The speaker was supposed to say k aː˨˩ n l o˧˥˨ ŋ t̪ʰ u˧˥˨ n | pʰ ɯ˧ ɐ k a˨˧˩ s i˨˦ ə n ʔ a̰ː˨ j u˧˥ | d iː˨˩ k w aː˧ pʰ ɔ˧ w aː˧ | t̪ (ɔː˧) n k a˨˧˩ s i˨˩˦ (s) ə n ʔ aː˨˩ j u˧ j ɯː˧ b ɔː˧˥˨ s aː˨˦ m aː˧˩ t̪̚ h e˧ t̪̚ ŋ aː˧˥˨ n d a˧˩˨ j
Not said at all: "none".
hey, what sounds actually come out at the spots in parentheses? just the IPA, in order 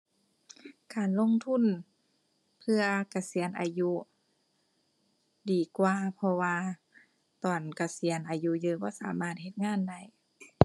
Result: ɔː˨˩, none

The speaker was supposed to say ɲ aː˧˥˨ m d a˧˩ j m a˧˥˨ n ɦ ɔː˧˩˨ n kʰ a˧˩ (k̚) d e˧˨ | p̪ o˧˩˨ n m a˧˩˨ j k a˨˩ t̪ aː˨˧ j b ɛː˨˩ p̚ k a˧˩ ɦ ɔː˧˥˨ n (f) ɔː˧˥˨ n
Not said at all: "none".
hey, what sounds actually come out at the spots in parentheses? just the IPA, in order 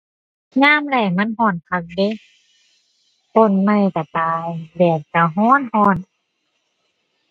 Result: k̚, h

